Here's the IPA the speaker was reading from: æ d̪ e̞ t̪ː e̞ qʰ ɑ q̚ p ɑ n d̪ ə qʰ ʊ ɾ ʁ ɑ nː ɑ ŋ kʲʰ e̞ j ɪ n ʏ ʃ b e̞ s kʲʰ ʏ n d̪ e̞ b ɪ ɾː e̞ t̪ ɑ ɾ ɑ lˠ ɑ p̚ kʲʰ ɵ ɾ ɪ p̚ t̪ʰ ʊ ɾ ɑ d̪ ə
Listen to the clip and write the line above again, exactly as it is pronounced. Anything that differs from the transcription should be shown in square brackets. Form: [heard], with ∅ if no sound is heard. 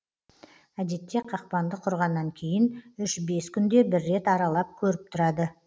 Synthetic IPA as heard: æ d̪ e̞ t̪ː e̞ qʰ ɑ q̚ p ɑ n d̪ ə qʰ ʊ ɾ ʁ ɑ nː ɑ ŋ kʲʰ e̞ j ɪ n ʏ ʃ b e̞ s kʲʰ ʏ n d̪ e̞ b ɪ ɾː e̞ t̪ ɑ ɾ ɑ lˠ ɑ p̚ kʲʰ ɵ ɾ ɪ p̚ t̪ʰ ʊ ɾ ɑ d̪ ə